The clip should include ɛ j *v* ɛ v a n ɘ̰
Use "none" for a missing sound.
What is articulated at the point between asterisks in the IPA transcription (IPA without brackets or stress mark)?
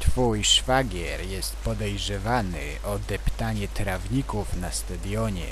ʐ